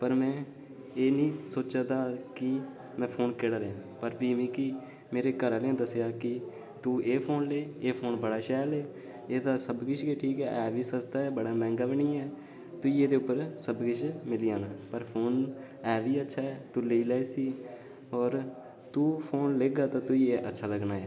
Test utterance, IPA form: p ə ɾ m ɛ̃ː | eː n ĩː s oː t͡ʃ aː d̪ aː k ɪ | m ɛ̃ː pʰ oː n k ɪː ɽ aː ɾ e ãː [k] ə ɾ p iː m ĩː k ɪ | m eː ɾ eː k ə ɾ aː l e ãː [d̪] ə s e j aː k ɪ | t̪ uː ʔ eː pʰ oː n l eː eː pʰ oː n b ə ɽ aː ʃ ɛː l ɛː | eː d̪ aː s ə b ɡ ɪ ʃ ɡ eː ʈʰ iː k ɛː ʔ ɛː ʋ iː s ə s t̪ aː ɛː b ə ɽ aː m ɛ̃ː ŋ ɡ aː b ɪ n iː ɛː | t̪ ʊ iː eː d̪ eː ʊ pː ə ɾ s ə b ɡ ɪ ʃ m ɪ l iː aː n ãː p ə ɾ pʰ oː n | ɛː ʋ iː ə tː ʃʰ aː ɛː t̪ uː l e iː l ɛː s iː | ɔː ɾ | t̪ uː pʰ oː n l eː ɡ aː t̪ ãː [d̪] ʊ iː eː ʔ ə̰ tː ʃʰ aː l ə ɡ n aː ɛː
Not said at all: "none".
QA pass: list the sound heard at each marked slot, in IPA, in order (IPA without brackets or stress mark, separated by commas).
p, d̪, t̪